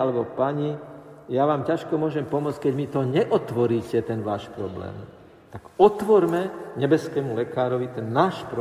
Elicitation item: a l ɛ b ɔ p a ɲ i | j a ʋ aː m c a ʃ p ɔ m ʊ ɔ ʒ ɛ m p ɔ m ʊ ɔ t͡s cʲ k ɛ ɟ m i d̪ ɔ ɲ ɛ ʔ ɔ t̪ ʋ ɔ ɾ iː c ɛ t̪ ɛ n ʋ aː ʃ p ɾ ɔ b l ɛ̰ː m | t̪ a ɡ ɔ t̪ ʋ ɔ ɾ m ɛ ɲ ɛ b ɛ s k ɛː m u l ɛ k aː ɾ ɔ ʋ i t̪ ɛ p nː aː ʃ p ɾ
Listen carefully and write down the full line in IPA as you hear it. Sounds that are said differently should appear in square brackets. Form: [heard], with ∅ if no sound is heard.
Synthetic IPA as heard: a l ɛ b ɔ p a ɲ i | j a ʋ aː m c a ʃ [k] ɔ m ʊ ɔ ʒ ɛ m p ɔ m ʊ ɔ t͡s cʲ k ɛ ɟ m i [t̪] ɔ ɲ ɛ ʔ ɔ t̪ ʋ ɔ ɾ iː c ɛ t̪ ɛ n ʋ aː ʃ p ɾ ɔ b l ɛ̰ː m | t̪ a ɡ ɔ t̪ ʋ ɔ ɾ m ɛ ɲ ɛ b ɛ s k ɛː m u l ɛ k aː ɾ ɔ ʋ i t̪ ɛ [∅] nː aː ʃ p ɾ